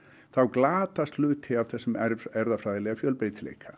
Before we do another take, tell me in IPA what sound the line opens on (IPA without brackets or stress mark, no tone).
θ